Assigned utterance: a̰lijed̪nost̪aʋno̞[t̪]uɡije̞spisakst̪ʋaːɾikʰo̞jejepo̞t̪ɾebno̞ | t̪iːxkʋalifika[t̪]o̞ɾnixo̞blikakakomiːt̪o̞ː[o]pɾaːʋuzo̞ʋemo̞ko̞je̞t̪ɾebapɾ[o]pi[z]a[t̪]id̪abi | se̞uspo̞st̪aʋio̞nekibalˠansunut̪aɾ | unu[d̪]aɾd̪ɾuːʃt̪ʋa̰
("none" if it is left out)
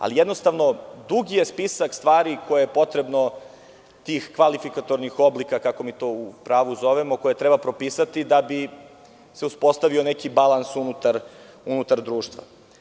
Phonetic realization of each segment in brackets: d̪, t̪, u, o, s, t̪, t̪

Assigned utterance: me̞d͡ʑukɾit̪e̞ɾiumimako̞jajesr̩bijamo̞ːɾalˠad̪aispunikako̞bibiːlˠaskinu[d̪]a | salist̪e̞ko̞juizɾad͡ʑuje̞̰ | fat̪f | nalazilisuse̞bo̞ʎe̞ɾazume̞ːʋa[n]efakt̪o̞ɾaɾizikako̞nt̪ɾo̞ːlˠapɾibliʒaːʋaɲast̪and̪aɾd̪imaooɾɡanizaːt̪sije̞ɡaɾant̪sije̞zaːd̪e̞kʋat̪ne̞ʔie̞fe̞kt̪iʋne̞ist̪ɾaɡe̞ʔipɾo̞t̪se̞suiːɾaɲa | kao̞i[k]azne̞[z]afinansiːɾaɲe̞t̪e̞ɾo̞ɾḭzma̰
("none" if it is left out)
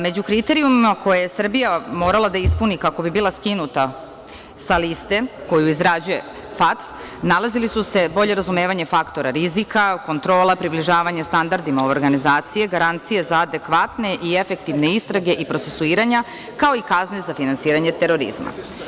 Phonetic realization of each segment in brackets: t̪, ɲ, k, z

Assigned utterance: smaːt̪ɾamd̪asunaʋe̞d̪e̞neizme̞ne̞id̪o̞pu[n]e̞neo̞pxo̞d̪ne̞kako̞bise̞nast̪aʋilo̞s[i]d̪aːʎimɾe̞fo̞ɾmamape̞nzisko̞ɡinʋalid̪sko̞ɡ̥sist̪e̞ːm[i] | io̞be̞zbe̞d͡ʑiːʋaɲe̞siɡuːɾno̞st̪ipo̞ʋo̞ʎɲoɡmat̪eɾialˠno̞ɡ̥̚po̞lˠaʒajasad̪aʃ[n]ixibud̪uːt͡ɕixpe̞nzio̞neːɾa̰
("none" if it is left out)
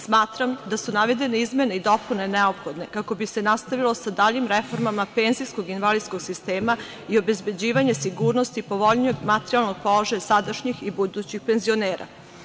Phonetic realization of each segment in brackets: n, a, a, ɲ

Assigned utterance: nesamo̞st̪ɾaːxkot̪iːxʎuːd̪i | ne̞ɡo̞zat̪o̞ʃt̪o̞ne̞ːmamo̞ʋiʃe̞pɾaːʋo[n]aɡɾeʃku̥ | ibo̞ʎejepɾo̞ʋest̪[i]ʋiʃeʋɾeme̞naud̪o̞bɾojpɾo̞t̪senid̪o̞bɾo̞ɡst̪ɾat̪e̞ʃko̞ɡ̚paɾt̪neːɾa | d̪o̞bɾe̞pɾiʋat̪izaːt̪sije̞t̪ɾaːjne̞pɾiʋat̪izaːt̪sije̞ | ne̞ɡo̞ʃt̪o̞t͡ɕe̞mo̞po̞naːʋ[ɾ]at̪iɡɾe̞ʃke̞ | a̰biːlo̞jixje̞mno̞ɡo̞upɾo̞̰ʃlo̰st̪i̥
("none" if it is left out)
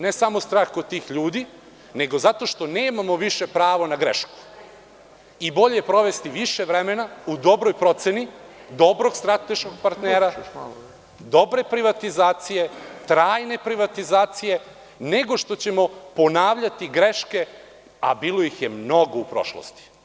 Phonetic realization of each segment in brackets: n, i, ʎ

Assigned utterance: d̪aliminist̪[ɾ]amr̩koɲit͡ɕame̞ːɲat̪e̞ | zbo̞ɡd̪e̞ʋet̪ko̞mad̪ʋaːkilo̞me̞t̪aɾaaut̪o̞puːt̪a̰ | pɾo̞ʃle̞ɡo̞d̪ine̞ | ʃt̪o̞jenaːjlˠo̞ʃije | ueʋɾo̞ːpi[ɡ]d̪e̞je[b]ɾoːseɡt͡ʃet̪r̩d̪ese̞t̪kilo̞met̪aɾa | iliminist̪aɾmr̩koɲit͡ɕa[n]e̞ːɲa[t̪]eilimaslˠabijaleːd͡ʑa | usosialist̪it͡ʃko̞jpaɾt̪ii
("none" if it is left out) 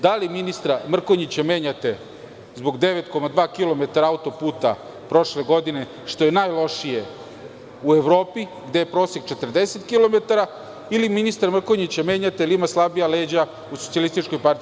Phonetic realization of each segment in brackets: ɾ, ɡ, p, m, t̪

